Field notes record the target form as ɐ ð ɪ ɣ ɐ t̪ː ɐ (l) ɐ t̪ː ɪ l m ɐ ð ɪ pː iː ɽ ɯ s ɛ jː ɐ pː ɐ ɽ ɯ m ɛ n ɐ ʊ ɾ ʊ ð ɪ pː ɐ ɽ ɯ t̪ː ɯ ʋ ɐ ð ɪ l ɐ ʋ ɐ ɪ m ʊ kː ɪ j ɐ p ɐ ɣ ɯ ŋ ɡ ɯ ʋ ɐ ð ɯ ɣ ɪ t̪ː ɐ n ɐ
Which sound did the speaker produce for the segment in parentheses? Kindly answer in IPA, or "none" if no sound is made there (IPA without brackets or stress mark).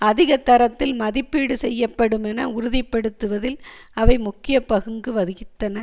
ɾ